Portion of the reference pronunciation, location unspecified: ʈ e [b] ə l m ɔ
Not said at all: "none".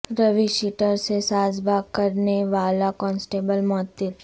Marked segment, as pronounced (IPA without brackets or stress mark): b